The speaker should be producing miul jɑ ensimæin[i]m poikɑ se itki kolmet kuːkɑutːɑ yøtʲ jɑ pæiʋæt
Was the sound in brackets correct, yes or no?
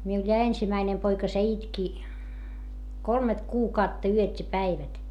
no